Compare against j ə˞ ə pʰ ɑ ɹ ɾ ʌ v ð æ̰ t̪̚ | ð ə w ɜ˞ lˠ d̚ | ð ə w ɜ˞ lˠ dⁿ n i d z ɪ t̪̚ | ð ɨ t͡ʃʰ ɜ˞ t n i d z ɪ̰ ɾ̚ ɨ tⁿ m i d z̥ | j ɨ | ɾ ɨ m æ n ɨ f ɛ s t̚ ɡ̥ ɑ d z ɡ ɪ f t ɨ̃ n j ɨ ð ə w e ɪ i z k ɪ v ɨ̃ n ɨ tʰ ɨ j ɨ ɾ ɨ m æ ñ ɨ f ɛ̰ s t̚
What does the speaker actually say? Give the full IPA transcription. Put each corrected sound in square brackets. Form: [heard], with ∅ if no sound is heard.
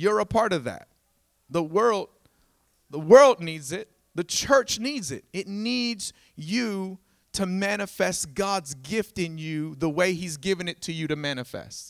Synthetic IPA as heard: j ə˞ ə pʰ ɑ ɹ ɾ ʌ v ð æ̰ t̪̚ | ð ə w ɜ˞ lˠ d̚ | ð ə w ɜ˞ lˠ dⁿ n i d z ɪ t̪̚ | ð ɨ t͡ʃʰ ɜ˞ [t͡ʃ] n i d z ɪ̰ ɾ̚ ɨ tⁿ [n] i d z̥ | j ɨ | ɾ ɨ m æ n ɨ f ɛ s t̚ ɡ̥ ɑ d z ɡ ɪ f t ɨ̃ n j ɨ ð ə w e ɪ i z [ɡ] ɪ v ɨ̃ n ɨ tʰ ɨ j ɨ ɾ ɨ m æ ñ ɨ f ɛ̰ s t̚